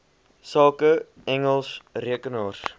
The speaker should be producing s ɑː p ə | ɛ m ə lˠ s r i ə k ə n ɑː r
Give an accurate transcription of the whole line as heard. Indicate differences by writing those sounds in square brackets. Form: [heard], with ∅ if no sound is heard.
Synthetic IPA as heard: s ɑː [k] ə | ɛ [ŋ] ə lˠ s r i ə k ə n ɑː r